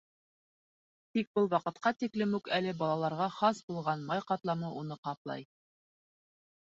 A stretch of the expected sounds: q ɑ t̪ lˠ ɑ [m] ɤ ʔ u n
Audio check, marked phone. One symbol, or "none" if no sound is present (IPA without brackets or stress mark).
m